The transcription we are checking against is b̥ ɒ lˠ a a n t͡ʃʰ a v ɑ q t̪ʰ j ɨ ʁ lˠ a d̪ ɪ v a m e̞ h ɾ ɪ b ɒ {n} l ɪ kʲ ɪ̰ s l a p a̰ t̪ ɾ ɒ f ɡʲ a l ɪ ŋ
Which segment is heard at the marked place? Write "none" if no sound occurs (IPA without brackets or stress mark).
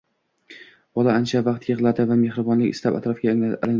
n